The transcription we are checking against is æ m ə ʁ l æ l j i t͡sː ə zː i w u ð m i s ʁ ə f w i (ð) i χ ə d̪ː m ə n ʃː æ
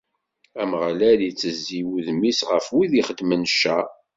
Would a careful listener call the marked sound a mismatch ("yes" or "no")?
no